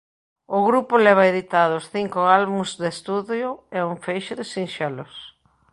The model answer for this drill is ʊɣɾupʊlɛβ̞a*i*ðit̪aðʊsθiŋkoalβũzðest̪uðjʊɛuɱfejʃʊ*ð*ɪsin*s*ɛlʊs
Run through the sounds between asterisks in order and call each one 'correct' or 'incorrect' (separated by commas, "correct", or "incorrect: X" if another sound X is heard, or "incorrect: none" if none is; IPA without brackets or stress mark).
incorrect: e, correct, incorrect: ʃ